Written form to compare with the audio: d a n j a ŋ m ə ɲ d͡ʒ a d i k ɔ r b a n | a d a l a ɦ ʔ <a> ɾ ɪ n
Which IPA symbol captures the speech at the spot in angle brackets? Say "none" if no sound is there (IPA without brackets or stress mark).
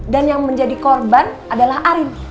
a